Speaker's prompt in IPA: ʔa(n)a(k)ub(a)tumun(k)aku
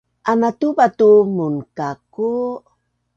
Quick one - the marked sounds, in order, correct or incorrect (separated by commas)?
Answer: correct, incorrect, correct, correct